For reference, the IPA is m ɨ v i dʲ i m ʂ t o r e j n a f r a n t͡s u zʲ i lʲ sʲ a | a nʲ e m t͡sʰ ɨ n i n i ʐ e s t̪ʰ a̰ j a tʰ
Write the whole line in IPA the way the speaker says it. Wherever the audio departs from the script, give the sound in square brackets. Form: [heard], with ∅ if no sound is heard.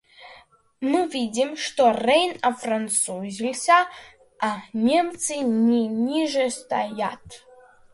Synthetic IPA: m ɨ v i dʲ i m ʂ t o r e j n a f r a n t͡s u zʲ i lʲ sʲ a | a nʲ e m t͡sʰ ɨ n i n i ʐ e s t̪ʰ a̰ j a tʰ